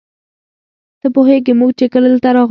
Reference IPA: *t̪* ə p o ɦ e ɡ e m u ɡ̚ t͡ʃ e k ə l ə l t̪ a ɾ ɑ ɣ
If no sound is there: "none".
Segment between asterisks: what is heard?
t̪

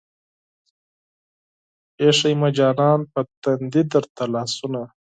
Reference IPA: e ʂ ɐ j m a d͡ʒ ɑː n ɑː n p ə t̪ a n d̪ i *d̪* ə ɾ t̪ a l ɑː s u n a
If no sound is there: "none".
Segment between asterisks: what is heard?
d̪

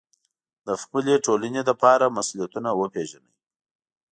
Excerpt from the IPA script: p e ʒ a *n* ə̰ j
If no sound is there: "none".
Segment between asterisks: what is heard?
n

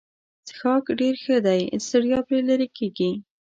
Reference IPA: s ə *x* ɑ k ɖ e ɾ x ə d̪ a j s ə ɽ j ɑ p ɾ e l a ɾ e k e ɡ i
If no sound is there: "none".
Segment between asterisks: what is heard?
x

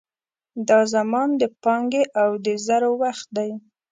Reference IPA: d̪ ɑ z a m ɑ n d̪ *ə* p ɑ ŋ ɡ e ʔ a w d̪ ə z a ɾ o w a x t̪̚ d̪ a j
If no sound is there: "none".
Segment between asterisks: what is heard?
ə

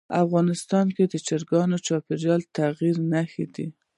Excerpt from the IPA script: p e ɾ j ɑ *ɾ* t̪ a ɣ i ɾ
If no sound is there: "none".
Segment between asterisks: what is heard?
l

